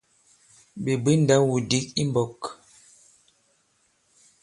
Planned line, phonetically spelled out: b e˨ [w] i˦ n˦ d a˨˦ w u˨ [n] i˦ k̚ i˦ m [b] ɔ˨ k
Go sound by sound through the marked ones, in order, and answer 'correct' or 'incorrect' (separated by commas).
incorrect, incorrect, correct